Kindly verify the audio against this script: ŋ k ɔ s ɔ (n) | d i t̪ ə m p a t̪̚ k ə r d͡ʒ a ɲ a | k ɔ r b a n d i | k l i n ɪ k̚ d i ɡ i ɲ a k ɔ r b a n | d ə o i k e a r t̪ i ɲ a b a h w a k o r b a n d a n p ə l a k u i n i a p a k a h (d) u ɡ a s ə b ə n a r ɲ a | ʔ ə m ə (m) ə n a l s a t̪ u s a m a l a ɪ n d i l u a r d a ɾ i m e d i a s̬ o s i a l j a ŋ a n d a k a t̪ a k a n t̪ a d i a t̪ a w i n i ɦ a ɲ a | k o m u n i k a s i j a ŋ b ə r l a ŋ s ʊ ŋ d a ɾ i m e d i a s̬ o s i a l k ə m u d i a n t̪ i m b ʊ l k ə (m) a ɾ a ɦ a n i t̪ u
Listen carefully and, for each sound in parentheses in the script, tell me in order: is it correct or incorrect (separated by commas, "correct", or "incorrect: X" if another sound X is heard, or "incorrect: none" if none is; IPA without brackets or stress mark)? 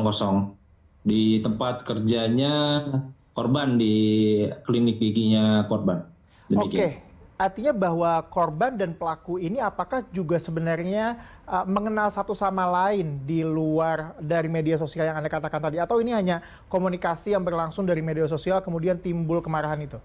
incorrect: ŋ, incorrect: d͡ʒ, incorrect: ŋ, correct